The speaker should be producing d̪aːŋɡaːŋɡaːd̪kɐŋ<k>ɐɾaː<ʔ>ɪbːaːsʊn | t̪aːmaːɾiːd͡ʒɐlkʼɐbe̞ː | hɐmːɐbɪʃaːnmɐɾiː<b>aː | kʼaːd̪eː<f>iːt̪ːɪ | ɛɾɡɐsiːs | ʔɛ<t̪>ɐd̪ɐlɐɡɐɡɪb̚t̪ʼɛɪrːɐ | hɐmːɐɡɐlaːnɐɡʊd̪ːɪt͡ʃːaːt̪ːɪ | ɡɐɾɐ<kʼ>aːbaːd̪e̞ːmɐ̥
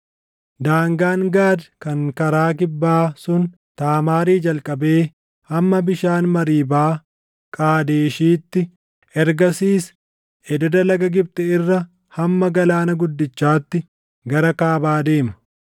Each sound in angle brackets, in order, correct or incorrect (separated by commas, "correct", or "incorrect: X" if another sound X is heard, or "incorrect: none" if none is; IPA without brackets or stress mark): correct, incorrect: k, correct, incorrect: ʃ, incorrect: d̪, incorrect: k